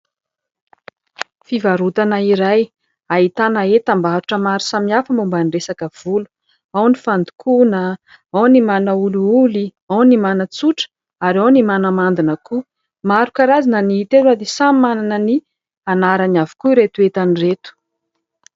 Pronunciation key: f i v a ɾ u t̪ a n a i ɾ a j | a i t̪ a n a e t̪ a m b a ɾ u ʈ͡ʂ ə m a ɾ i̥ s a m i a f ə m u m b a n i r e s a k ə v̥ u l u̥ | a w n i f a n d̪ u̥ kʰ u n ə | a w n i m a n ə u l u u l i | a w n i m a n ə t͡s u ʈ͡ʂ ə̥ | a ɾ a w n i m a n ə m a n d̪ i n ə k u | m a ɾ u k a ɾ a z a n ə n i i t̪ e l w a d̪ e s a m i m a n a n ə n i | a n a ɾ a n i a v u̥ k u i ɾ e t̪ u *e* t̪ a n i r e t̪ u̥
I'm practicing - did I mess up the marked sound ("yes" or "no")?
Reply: no